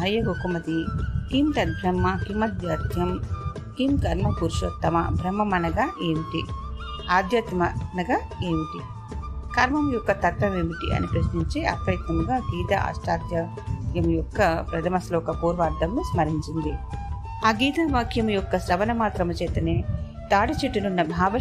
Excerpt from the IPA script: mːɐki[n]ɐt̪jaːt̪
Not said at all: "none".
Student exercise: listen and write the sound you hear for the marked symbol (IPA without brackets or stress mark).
m